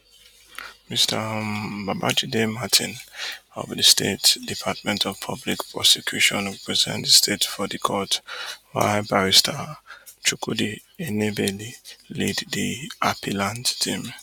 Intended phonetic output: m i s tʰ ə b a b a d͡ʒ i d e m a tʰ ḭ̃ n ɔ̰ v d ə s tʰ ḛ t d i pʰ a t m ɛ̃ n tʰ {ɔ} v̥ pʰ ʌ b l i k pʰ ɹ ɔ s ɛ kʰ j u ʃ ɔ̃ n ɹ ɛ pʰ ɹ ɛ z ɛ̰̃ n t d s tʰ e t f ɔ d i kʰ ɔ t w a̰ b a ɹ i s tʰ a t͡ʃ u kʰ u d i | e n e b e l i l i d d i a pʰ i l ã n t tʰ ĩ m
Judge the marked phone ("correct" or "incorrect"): correct